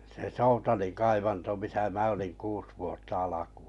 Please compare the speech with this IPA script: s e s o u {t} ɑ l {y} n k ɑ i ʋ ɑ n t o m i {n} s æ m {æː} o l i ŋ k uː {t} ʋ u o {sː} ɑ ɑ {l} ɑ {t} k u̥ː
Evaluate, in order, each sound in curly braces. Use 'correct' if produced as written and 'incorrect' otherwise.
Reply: correct, incorrect: i, incorrect: none, incorrect: æ, incorrect: s, incorrect: tː, correct, incorrect: none

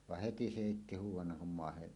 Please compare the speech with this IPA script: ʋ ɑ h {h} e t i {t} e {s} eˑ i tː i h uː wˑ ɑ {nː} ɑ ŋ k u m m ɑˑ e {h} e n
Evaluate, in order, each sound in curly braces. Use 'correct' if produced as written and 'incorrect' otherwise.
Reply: correct, incorrect: s, incorrect: h, correct, correct

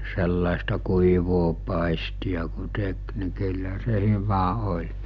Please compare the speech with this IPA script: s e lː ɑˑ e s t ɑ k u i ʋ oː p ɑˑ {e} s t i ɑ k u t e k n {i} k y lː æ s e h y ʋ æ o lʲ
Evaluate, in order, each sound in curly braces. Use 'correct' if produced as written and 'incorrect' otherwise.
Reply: incorrect: i, correct

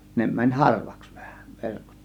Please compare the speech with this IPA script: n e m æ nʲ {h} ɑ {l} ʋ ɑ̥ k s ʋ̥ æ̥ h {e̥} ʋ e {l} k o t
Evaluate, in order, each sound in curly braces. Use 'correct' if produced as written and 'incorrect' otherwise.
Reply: correct, incorrect: r, incorrect: æ̥, incorrect: r

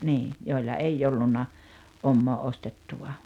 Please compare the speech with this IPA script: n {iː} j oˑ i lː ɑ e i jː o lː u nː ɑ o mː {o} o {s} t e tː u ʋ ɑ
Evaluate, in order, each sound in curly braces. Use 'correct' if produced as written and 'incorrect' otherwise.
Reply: correct, incorrect: oː, correct

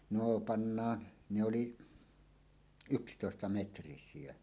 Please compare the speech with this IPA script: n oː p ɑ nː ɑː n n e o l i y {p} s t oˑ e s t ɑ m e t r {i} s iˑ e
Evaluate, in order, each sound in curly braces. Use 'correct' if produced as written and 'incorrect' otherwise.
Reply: incorrect: k, correct

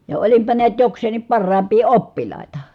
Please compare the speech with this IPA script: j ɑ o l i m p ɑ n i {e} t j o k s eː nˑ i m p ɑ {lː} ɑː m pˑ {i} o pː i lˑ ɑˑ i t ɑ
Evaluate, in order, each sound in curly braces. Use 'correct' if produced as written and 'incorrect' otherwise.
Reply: incorrect: æ, incorrect: rː, incorrect: iː

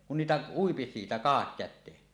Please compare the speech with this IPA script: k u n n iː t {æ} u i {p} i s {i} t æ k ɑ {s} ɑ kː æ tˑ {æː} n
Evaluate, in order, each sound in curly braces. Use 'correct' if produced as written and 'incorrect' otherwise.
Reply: correct, correct, incorrect: iː, incorrect: h, incorrect: eː

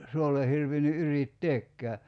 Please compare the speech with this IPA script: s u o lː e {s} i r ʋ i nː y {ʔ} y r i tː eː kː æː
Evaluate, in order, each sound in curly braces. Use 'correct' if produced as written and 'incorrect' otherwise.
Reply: incorrect: h, correct

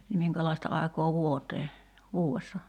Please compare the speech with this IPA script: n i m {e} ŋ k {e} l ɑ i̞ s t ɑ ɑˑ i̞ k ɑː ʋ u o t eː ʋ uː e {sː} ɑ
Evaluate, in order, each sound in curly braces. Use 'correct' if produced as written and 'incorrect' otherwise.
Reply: incorrect: i, incorrect: æ, correct

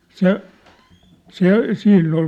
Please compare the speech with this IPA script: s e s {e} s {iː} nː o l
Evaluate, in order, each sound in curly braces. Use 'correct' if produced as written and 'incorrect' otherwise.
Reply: correct, correct

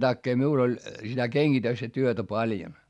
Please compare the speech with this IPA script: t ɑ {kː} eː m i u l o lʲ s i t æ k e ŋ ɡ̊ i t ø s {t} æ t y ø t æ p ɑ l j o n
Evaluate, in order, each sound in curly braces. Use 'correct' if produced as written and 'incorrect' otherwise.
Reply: correct, correct

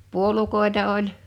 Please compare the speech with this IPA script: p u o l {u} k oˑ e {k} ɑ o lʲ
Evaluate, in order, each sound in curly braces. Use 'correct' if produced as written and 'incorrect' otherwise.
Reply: correct, incorrect: t

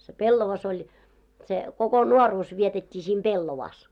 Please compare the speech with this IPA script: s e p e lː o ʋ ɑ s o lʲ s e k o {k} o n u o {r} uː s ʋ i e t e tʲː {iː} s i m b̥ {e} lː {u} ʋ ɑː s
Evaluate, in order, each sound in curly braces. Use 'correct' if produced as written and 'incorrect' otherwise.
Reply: correct, correct, correct, correct, incorrect: o

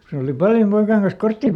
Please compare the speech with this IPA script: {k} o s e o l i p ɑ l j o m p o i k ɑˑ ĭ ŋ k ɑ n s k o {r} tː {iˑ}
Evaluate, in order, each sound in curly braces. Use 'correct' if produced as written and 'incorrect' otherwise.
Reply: correct, correct, correct

